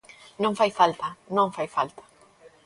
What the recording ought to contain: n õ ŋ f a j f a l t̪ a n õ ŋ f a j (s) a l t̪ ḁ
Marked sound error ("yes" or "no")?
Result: yes